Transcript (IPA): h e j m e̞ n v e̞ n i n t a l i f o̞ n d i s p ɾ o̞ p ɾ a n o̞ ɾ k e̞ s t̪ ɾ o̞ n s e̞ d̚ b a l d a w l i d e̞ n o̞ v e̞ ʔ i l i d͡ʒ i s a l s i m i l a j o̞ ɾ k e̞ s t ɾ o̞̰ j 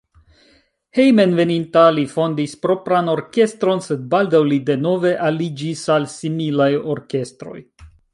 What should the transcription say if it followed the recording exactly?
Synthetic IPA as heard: h e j m e̞ n v e̞ n i n t a l i f o̞ n d i s p ɾ o̞ p ɾ a n o̞ ɾ k e̞ s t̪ ɾ o̞ n s e̞ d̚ b a l d a w l i d e̞ n o̞ v e̞ ʔ a l i d͡ʒ i s a l s i m i l a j o̞ ɾ k e̞ s t ɾ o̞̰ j